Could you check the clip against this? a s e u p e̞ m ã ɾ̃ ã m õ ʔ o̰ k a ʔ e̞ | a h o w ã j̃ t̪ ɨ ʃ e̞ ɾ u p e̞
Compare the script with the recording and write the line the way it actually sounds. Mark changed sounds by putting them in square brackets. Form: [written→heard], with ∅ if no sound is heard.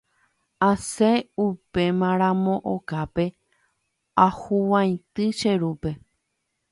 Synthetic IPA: a s e u p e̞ m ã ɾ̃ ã m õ ʔ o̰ k a [ʔ→p] e̞ | a h [o→u] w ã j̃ t̪ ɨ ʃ e̞ ɾ u p e̞